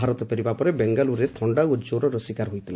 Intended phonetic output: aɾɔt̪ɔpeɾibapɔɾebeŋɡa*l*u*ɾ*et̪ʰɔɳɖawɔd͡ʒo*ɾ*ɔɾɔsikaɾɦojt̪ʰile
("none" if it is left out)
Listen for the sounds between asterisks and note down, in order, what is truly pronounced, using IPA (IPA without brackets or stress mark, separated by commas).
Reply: l, ɾ, ɾ